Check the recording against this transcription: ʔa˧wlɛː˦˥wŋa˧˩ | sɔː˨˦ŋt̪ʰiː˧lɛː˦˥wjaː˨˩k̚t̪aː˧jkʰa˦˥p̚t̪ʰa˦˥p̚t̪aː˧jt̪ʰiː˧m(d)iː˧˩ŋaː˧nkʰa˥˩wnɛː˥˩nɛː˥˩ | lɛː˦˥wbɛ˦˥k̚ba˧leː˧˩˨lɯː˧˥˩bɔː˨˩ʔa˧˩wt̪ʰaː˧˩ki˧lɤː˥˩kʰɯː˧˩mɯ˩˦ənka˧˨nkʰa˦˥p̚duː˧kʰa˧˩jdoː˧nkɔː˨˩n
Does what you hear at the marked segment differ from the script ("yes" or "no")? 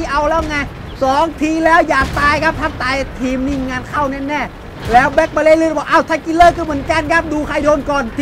yes